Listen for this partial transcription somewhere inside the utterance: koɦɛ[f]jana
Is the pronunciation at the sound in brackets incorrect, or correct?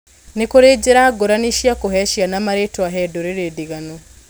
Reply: incorrect